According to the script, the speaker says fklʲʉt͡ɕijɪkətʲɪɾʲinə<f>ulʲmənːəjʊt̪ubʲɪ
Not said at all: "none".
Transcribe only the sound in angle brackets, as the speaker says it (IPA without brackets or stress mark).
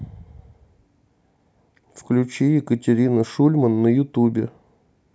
ʂ